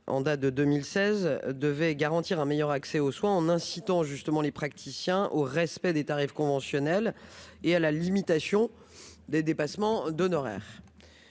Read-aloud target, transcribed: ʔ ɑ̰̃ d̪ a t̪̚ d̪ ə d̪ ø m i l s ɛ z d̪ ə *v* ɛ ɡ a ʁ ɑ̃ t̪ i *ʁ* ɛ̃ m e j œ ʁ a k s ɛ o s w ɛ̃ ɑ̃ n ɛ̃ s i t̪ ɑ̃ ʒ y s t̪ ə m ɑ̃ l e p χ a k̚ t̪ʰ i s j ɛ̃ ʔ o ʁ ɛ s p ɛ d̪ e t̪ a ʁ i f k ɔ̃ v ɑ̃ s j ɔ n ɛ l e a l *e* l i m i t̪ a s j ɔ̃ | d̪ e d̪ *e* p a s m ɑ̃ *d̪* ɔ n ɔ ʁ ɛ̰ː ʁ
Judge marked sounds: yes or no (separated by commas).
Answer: yes, yes, no, yes, yes